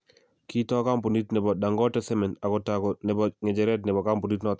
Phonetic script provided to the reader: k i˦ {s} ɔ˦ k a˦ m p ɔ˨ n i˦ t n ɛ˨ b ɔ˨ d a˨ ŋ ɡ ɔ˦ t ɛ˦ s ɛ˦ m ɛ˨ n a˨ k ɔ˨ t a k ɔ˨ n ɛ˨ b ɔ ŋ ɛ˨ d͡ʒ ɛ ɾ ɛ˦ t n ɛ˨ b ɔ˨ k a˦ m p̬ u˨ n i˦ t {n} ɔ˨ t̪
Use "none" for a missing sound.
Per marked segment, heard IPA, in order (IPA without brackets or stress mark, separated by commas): t, n